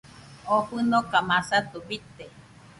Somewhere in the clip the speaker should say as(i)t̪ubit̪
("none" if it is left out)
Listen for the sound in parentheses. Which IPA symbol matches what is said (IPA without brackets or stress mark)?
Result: a